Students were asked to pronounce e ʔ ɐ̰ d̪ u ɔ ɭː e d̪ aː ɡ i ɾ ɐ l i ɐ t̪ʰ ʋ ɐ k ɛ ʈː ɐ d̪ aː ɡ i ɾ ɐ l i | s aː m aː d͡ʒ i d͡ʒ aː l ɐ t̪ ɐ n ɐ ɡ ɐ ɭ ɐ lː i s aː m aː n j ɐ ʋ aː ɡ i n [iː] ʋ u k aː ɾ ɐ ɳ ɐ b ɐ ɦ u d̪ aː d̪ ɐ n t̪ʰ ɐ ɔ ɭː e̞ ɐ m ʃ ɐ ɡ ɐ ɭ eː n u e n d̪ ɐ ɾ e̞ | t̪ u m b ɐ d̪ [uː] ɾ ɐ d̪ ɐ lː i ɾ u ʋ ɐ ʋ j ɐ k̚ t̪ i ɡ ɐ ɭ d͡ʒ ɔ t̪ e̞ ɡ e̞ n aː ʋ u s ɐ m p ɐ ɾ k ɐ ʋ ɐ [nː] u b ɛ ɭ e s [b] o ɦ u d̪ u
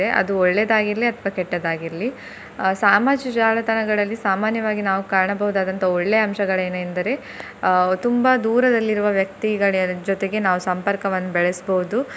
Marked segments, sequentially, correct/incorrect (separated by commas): incorrect, correct, correct, correct